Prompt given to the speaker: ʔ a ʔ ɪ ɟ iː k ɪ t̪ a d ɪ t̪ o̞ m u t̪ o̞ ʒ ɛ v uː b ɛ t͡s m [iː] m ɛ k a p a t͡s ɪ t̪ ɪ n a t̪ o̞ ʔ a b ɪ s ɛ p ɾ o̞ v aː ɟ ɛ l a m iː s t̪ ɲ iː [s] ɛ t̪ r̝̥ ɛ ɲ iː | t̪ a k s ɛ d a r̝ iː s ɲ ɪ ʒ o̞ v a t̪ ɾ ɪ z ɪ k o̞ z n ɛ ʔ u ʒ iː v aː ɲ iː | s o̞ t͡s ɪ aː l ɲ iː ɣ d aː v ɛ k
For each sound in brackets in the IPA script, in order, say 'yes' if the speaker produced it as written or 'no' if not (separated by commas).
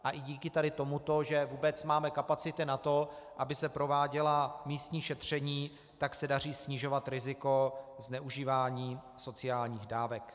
no, no